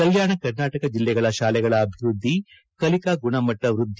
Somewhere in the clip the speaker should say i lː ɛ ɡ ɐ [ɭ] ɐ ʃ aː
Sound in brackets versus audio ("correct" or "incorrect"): correct